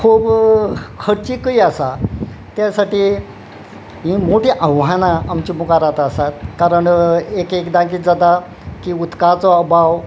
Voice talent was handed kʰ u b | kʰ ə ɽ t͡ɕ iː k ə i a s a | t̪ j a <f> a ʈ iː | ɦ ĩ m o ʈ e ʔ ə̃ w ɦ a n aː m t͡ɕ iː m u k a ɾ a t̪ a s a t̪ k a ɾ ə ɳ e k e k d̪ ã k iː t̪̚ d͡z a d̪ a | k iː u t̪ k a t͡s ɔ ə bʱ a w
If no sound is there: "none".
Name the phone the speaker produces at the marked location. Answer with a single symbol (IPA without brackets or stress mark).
s